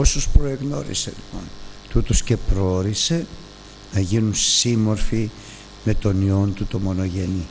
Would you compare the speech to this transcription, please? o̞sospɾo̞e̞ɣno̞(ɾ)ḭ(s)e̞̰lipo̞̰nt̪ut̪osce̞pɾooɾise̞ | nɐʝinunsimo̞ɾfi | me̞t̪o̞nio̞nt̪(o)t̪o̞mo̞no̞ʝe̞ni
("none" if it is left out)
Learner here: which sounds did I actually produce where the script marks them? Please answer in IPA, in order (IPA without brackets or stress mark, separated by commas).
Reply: ɾ, s, u